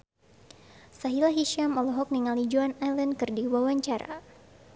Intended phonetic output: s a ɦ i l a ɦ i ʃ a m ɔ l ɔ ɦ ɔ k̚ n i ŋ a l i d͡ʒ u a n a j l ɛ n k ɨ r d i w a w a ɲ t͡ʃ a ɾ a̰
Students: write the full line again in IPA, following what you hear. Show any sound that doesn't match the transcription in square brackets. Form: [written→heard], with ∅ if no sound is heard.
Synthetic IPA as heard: s a ɦ i l a ɦ i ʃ a m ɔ l ɔ ɦ ɔ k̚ n i ŋ a l i d͡ʒ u a n a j l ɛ n k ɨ r d i w a w a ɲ t͡ʃ a ɾ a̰

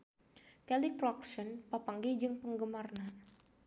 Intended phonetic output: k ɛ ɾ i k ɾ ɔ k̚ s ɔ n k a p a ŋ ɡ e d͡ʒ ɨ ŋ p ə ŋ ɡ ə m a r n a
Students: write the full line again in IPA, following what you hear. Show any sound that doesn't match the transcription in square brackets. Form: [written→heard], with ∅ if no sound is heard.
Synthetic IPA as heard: k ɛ [ɾ→l] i k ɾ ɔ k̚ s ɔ n [k→p] a p a ŋ ɡ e d͡ʒ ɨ ŋ p ə ŋ ɡ ə m a r n a

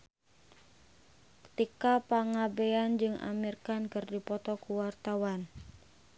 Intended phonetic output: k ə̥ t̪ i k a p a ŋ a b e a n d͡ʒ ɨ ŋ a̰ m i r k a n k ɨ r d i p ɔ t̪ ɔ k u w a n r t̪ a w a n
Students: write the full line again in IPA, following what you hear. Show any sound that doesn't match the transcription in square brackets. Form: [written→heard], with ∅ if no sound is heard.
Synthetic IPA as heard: k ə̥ t̪ i k a p a ŋ a b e a n d͡ʒ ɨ ŋ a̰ m i r k a n k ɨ r d i p ɔ t̪ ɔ k u w a [n→∅] r t̪ a w a n

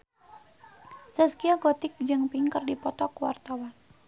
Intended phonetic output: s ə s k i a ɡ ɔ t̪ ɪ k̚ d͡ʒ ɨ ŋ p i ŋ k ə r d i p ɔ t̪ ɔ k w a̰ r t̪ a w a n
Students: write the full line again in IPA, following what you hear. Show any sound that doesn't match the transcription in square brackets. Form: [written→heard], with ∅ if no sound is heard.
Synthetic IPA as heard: s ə s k i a ɡ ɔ t̪ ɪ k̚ d͡ʒ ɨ ŋ p i ŋ k ə r d i p ɔ t̪ ɔ k w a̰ r t̪ a w a n

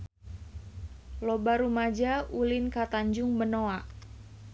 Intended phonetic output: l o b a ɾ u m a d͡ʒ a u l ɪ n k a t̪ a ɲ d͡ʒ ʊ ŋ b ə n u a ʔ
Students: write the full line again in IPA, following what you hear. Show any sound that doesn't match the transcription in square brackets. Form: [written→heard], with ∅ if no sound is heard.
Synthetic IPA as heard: l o b a ɾ u m a d͡ʒ a u l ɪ n k a t̪ a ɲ d͡ʒ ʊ ŋ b ə n [u→o] a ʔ

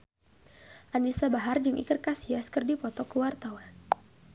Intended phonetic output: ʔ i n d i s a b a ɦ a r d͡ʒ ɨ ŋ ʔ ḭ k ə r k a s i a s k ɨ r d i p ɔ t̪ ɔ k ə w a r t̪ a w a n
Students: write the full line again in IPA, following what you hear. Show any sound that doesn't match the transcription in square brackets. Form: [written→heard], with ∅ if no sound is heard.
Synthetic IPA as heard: ʔ [i→a] n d i s a b a ɦ a r d͡ʒ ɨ ŋ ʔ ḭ k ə r k a s i a s k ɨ r d i p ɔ t̪ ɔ k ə w a r t̪ a w a n

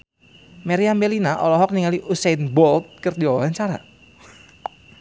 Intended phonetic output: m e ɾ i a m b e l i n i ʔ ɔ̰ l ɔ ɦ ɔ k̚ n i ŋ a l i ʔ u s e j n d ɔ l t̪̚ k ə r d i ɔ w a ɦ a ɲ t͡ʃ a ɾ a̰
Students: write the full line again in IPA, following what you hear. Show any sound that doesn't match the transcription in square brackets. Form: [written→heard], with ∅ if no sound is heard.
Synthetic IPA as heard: m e ɾ i a m b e l i n [i→a] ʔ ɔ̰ l ɔ ɦ ɔ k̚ n i ŋ a l i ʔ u s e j n [d→b] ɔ l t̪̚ k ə r d i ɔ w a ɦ a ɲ t͡ʃ a ɾ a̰

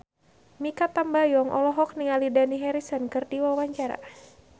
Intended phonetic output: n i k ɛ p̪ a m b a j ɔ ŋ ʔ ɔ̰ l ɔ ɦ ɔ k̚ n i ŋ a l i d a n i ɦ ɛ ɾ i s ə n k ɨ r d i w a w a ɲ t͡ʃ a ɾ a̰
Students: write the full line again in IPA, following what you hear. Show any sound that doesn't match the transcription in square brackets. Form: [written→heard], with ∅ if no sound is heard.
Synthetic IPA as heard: [n→m] i k [ɛ→a] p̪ a m b a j ɔ ŋ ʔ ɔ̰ l ɔ ɦ ɔ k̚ n i ŋ a l i d a n i ɦ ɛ ɾ i s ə n k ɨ r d i w a w a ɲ t͡ʃ a ɾ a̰

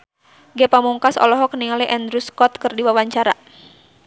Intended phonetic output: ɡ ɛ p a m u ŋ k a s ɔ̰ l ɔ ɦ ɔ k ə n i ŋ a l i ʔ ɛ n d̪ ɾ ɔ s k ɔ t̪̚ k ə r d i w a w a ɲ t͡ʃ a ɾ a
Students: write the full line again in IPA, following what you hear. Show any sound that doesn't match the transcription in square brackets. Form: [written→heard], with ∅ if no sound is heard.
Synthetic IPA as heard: ɡ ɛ p a m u ŋ k a s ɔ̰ l ɔ ɦ ɔ k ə n i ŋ a l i ʔ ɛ n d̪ ɾ [ɔ→u] s k ɔ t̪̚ k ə r d i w a w a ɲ t͡ʃ a ɾ a

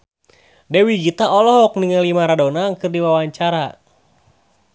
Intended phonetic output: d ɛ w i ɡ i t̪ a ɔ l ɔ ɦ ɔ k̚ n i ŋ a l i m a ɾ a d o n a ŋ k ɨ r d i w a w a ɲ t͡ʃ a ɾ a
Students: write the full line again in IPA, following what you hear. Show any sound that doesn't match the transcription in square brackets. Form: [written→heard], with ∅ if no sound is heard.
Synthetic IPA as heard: d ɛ w i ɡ i t̪ a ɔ l ɔ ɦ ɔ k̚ n i ŋ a l i m a ɾ a d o n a ŋ k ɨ r d i w a w a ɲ t͡ʃ a ɾ a

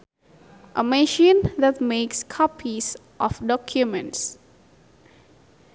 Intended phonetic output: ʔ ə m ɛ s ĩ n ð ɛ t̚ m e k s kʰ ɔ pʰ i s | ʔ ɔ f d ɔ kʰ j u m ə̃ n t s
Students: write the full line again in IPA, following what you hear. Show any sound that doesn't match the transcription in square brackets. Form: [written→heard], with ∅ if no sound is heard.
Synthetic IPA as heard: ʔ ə m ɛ [s→ʃ] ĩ n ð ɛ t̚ m e k s kʰ ɔ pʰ i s | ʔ ɔ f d ɔ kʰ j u m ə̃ n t s

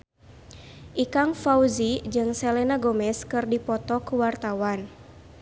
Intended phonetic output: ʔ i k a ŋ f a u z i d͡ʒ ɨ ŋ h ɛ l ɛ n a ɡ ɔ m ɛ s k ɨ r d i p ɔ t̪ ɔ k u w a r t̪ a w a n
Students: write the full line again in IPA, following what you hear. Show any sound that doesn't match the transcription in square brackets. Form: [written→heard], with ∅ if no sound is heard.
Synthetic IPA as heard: ʔ i k a ŋ f a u z i d͡ʒ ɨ ŋ [h→s] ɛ l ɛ n a ɡ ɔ m ɛ s k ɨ r d i p ɔ t̪ ɔ k u w a r t̪ a w a n

